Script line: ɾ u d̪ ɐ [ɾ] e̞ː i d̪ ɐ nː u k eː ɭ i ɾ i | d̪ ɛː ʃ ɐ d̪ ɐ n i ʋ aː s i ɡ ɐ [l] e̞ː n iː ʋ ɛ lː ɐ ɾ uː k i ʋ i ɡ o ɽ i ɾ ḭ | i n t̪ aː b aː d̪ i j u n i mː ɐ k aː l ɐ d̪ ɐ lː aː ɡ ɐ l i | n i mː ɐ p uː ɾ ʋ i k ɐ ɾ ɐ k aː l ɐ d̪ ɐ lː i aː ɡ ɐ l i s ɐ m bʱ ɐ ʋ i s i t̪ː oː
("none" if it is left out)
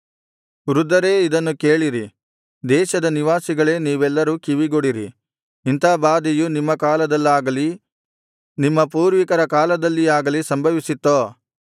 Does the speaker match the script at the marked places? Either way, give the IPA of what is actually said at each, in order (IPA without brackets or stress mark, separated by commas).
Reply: ɾ, ɭ